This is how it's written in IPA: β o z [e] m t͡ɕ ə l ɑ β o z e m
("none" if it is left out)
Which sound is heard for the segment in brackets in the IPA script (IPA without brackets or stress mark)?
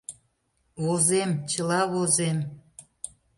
e